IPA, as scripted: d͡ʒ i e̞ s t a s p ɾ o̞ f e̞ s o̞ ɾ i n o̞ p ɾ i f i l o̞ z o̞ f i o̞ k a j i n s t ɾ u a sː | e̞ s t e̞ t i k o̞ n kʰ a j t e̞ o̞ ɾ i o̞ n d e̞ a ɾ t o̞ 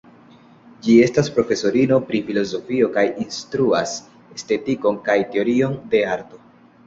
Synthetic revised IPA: d͡ʒ i e̞ s t a s p ɾ o̞ f e̞ s o̞ ɾ i n o̞ p ɾ i f i l o̞ z o̞ f i o̞ k a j i n s t ɾ u a s | e̞ s t e̞ t i k o̞ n k a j t e̞ o̞ ɾ i o̞ n d e̞ a ɾ t o̞